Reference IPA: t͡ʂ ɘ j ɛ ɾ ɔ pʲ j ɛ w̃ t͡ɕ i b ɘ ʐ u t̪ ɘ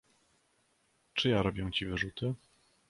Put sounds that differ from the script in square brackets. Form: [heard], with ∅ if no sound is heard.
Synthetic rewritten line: t͡ʂ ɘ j [a] ɾ ɔ [bʲ] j ɛ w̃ t͡ɕ i [v] ɘ ʐ u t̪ ɘ